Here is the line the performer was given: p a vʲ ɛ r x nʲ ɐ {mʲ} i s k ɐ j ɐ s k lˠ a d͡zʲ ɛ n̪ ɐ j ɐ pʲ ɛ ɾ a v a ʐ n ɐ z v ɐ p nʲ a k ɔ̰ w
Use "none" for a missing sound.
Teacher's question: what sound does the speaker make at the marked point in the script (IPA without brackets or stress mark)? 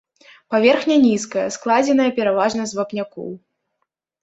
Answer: nʲ